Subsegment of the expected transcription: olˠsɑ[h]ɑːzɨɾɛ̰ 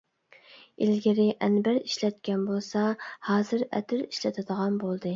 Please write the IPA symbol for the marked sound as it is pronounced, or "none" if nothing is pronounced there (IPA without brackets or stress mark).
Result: h